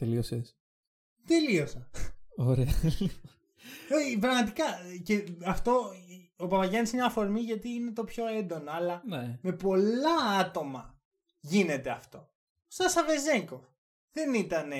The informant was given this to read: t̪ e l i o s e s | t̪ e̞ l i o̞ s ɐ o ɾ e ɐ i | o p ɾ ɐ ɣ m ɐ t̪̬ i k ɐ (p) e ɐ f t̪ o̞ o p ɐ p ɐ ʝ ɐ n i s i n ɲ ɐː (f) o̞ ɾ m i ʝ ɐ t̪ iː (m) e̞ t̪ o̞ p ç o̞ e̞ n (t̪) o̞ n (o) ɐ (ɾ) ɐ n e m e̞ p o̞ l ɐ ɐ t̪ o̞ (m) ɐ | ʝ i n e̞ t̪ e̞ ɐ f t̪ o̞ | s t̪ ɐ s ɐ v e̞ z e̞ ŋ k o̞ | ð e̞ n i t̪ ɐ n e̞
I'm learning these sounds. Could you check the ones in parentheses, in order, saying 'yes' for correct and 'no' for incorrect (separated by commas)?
no, yes, no, no, yes, no, yes